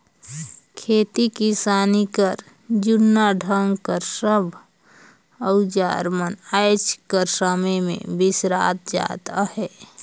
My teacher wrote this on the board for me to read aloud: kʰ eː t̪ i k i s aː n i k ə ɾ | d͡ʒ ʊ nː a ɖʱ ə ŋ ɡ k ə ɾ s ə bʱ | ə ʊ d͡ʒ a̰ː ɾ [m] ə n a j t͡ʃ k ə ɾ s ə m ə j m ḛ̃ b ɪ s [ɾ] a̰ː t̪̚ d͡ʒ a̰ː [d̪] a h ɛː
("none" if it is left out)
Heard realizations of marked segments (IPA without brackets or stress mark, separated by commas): m, ɾ, t̪